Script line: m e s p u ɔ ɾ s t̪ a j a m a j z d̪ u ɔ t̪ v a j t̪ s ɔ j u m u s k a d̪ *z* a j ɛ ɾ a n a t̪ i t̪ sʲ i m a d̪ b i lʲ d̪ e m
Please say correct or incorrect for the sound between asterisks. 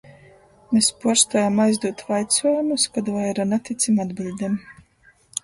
incorrect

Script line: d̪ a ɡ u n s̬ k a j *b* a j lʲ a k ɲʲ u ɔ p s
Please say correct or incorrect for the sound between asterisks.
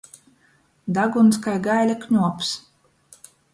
incorrect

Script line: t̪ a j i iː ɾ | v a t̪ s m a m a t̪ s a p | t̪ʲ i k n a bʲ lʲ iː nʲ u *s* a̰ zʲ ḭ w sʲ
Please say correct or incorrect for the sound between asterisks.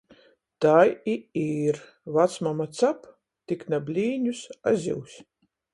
correct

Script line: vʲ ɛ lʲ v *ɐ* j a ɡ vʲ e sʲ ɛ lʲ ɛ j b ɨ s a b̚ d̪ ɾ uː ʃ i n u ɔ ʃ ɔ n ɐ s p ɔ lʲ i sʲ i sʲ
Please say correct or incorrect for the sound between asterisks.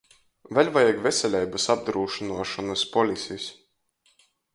incorrect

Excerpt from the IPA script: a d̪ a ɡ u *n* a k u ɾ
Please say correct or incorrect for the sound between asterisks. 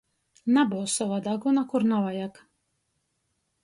correct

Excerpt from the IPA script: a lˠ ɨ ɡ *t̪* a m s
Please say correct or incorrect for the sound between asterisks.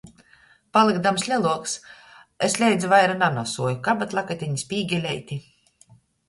incorrect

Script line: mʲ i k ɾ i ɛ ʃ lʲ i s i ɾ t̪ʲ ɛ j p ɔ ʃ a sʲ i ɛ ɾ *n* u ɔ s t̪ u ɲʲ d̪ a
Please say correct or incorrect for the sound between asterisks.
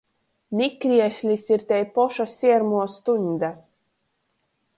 incorrect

